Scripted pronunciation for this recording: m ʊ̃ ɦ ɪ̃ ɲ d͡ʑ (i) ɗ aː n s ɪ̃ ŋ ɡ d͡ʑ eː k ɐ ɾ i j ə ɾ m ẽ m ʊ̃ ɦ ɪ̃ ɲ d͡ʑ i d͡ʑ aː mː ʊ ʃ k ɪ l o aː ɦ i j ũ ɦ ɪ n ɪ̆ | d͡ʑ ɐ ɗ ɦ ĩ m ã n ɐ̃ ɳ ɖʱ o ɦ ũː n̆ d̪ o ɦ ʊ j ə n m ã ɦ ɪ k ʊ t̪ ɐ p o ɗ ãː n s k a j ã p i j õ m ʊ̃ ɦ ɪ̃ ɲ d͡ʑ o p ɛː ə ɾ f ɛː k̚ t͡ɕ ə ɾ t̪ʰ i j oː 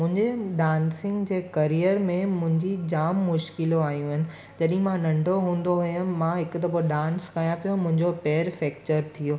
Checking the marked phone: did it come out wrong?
yes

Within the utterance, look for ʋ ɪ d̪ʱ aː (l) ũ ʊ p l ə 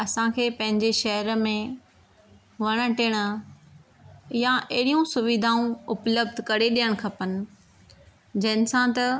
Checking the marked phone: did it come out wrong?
yes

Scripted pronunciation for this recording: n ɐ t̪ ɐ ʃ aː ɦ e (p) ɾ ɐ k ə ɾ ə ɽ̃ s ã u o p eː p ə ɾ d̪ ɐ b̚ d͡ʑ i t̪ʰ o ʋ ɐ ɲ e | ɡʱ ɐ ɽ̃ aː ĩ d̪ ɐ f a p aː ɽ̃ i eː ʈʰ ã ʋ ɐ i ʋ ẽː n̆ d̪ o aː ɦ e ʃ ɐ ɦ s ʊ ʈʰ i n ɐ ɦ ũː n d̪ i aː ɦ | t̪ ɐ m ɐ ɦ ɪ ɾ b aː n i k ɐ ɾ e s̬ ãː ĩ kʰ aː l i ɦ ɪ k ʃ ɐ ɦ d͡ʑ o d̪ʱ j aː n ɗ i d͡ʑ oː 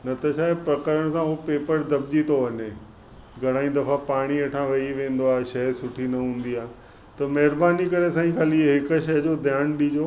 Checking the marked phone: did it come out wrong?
no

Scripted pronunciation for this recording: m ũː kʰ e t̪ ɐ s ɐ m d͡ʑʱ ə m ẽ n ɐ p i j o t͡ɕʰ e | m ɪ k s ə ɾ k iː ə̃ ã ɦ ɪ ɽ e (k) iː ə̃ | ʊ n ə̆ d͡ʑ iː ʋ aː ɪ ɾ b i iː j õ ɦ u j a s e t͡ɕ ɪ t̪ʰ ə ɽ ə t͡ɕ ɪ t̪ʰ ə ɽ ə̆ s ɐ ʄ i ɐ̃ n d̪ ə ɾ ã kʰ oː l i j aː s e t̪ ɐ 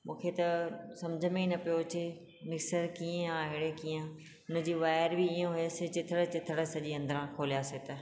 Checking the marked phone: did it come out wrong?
no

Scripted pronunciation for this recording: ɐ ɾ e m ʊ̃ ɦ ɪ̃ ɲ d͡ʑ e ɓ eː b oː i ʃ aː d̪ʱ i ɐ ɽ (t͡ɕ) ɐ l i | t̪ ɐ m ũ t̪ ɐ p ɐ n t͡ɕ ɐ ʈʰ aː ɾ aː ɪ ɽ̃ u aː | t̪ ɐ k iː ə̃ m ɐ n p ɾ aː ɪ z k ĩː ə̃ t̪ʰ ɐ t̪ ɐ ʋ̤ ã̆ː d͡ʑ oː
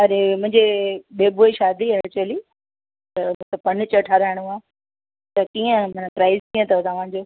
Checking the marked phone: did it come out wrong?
no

